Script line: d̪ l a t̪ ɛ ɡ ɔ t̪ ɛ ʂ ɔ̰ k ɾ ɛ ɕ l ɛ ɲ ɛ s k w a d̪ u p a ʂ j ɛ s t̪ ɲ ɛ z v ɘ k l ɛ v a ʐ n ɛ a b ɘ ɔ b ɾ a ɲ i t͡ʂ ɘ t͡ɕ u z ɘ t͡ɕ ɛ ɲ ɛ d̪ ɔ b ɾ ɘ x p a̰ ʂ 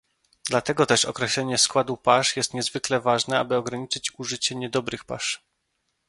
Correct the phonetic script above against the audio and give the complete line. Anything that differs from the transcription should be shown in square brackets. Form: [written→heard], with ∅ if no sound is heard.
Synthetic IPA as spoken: d̪ l a t̪ ɛ ɡ ɔ t̪ ɛ ʂ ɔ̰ k ɾ ɛ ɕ l ɛ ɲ ɛ s k w a d̪ u p a ʂ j ɛ s t̪ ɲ ɛ z v ɘ k l ɛ v a ʐ n ɛ a b ɘ ɔ [b→ɡ] ɾ a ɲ i t͡ʂ ɘ t͡ɕ u [z→ʐ] ɘ t͡ɕ ɛ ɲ ɛ d̪ ɔ b ɾ ɘ x p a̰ ʂ